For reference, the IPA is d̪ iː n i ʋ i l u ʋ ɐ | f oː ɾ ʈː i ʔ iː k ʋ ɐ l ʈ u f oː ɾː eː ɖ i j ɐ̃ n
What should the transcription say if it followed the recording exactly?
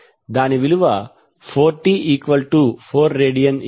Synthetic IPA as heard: d̪ aː n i ʋ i l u ʋ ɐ | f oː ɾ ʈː i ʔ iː k ʋ ɐ l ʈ u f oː ɾː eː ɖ i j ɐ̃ n